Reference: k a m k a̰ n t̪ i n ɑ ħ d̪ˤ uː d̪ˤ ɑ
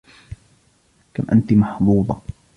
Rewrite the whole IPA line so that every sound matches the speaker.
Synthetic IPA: k a m ʔ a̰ n t̪ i m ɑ ħ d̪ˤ uː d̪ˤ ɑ